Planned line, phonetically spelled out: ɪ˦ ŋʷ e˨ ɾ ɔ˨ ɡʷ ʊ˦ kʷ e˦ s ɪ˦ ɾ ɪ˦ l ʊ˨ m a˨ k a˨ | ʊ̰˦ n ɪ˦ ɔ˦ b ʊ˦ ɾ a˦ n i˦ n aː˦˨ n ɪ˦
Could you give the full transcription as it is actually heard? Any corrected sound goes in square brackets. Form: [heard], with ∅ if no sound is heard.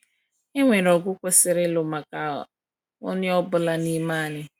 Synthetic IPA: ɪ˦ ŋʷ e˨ ɾ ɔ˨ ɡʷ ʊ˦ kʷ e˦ s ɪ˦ ɾ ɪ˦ l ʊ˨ m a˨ k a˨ | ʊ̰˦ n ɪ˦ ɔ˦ b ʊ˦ [l] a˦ n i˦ [m] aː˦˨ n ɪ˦

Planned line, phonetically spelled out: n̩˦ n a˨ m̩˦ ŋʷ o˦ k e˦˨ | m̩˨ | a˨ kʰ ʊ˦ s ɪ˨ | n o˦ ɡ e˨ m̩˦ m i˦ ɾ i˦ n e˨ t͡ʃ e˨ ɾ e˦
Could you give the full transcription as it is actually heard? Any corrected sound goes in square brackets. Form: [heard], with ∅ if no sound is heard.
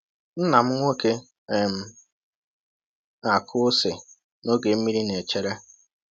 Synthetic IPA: n̩˦ n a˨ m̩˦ ŋʷ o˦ k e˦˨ | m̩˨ | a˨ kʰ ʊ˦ s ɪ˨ | n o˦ ɡ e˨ m̩˦ m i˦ ɾ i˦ n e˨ t͡ʃ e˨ ɾ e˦

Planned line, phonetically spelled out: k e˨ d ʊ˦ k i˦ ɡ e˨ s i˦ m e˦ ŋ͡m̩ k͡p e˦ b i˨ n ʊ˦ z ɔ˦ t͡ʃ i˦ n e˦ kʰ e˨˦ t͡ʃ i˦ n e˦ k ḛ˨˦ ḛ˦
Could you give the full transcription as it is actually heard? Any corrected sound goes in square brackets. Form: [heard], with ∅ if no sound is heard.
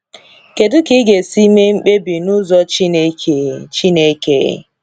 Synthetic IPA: k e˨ d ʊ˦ k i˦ ɡ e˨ s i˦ m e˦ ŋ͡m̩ k͡p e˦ b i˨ n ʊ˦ z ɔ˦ t͡ʃ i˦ n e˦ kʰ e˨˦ t͡ʃ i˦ n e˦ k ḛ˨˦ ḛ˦

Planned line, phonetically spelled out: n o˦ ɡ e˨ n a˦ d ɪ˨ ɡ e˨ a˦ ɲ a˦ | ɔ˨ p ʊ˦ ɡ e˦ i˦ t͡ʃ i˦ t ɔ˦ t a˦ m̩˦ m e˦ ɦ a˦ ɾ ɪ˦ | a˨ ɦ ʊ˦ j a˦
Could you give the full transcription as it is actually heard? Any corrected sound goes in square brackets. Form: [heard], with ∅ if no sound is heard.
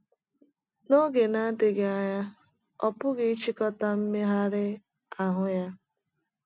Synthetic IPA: n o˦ ɡ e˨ n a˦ d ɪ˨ ɡ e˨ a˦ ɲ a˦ | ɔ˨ p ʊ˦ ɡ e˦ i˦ t͡ʃ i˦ [k] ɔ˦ t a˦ m̩˦ m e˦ ɦ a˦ ɾ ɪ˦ | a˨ ɦ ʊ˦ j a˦

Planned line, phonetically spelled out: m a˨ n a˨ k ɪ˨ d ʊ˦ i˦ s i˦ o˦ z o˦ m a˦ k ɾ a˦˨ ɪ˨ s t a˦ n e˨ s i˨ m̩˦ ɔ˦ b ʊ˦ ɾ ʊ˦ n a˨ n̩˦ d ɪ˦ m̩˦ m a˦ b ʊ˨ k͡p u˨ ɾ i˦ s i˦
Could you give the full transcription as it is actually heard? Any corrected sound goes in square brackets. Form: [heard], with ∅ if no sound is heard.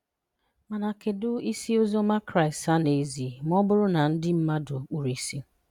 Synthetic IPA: m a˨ n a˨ k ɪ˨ d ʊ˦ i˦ s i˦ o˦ z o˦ m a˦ k ɾ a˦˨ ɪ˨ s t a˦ n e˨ [z] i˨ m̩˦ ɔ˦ b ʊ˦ ɾ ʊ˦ n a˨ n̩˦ d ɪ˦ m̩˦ m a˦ [d] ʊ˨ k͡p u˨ ɾ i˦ s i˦

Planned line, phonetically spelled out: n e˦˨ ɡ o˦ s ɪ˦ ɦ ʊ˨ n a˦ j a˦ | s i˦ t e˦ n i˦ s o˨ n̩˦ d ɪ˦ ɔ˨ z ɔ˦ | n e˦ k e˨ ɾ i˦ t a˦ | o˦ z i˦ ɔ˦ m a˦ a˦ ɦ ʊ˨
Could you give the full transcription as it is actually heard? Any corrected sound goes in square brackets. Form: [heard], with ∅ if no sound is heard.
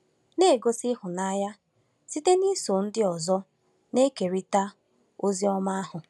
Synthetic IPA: n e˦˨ ɡ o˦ s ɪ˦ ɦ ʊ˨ n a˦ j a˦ | s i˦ t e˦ n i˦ s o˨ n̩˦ d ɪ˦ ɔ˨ z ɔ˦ | n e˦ k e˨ ɾ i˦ t a˦ | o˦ z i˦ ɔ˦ m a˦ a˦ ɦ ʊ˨

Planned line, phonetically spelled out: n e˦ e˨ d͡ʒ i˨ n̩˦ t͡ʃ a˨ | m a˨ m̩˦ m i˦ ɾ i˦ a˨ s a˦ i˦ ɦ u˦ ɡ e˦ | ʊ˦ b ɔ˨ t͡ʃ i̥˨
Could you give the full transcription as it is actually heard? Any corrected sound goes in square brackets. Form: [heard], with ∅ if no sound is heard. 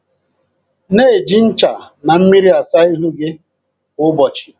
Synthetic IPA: n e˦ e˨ d͡ʒ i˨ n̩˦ t͡ʃ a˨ | [n] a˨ m̩˦ m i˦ ɾ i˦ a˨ s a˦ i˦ ɦ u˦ ɡ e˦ | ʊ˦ b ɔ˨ t͡ʃ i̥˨

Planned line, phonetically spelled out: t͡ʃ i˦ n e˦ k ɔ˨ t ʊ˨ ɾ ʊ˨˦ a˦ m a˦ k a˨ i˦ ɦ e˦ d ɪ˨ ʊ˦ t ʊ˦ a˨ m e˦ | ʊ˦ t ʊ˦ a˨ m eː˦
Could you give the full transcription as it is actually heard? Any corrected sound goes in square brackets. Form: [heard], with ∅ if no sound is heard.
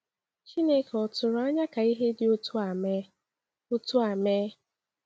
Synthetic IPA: t͡ʃ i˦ n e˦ k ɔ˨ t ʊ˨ ɾ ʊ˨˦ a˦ [ɲ] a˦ k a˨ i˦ ɦ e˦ d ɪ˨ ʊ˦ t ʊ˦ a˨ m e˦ | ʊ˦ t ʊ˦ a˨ m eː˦

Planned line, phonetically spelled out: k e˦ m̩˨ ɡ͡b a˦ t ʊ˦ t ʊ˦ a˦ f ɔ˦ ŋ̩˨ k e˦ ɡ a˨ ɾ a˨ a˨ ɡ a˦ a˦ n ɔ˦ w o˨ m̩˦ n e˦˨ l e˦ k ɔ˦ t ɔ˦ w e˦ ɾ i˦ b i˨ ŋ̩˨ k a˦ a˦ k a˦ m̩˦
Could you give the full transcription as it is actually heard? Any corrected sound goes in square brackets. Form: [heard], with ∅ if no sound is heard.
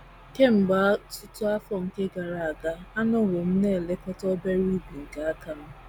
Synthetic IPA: k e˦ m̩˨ ɡ͡b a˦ t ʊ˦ t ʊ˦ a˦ f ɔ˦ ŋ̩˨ k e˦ ɡ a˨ ɾ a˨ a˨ ɡ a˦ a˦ n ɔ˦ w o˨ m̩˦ n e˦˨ l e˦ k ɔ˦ t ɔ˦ [b] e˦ ɾ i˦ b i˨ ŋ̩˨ k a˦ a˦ k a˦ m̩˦

